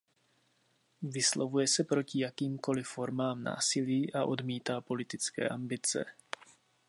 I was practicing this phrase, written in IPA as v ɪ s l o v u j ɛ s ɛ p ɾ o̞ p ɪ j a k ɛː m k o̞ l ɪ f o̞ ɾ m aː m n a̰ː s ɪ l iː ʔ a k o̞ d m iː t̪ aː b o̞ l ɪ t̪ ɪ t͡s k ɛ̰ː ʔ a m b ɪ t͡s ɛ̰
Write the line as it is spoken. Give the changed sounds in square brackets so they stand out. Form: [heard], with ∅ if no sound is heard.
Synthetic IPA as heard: v ɪ s l o v u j ɛ s ɛ p ɾ o̞ [c] ɪ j a k [iː] m k o̞ l ɪ f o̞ ɾ m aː m n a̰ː s ɪ l iː ʔ a [ʔ] o̞ d m iː t̪ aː [p] o̞ l ɪ t̪ ɪ t͡s k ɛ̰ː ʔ a m b ɪ t͡s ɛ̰